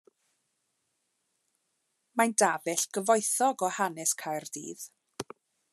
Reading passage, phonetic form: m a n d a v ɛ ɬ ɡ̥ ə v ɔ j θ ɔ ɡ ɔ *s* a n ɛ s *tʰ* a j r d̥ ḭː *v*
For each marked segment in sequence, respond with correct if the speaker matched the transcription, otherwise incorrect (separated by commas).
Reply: incorrect, incorrect, incorrect